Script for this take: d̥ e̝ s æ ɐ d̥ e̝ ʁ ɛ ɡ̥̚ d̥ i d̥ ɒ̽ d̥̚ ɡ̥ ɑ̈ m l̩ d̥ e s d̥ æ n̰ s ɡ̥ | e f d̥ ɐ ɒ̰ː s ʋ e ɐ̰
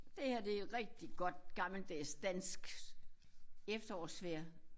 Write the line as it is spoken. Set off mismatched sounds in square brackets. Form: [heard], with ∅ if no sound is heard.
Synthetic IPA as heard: d̥ e̝ [h] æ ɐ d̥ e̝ ʁ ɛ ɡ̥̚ d̥ i [ɡ̥] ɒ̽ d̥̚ ɡ̥ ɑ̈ m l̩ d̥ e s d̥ æ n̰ s ɡ̥ | e f d̥ ɐ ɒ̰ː s ʋ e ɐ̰